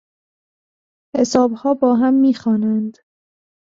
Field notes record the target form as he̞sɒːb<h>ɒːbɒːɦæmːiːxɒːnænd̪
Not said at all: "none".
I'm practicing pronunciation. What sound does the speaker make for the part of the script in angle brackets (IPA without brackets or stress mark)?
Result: h